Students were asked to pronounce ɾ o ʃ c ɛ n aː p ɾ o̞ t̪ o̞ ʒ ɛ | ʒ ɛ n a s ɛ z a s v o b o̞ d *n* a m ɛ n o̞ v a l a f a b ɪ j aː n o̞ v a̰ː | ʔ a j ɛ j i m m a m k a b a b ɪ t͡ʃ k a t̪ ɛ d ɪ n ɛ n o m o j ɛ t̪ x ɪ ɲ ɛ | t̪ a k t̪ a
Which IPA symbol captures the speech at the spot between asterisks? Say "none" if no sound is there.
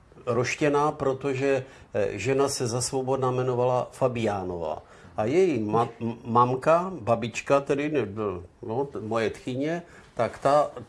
n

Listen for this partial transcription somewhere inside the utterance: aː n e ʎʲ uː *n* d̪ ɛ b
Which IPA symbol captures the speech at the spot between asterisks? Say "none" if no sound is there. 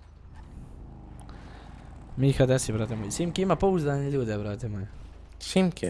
none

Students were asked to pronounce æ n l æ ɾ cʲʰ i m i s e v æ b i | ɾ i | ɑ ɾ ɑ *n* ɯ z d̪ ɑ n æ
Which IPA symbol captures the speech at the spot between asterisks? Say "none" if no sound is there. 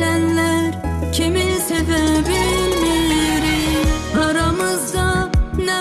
m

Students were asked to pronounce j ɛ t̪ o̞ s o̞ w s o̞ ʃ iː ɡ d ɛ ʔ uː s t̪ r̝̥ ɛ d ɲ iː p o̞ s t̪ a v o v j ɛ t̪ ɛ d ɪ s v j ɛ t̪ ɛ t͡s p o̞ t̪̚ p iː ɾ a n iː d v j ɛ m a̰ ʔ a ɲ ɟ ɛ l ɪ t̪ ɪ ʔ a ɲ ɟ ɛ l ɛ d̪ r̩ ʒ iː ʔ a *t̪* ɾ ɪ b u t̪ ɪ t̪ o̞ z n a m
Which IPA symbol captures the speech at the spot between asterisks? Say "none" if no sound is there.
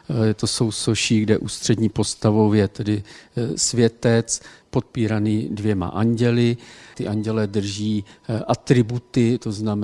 t̪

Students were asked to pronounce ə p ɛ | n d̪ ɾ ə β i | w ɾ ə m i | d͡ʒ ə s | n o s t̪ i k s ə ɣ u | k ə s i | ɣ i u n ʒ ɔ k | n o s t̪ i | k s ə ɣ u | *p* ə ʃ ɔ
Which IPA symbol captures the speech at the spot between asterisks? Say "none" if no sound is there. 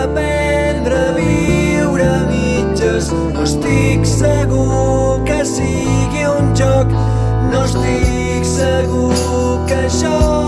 k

